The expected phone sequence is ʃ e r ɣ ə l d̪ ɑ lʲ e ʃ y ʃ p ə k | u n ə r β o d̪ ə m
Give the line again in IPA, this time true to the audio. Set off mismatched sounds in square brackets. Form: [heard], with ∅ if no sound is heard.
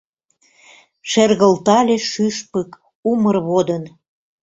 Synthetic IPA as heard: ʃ e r ɣ ə l [t̪] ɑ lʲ e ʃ y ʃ p ə k | u [m] ə r β o d̪ ə [n]